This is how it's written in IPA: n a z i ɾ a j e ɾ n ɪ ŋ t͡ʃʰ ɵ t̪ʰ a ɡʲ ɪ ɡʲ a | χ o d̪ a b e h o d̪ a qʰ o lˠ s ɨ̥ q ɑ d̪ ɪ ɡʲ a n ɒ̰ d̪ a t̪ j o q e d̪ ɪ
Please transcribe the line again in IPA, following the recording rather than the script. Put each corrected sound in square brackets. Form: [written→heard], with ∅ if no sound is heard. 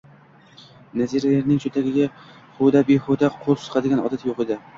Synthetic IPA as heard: n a z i ɾ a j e ɾ n ɪ ŋ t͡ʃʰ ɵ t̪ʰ a ɡʲ ɪ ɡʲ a | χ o d̪ a b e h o d̪ a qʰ o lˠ s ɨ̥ q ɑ d̪ ɪ ɡʲ a n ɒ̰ d̪ a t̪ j o q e d̪ ɪ